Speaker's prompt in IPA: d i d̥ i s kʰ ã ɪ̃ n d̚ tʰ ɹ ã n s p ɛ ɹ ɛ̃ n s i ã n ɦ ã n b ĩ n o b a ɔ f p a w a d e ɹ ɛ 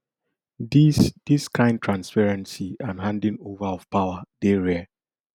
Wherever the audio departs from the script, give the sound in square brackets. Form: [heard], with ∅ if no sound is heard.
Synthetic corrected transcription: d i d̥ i s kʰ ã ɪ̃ n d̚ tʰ ɹ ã n s p ɛ ɹ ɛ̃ n s i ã n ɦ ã n [d] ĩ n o [v] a ɔ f p a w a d e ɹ ɛ